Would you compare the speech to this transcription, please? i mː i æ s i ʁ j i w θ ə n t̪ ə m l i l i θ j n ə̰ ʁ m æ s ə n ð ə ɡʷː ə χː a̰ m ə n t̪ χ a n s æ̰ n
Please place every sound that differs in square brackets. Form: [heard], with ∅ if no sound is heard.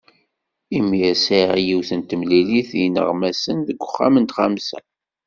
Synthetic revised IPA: i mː i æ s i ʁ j i w θ ə n t̪ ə m l i l i θ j n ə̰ ʁ m æ s ə n ð ə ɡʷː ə χː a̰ m ə n t̪ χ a [m] s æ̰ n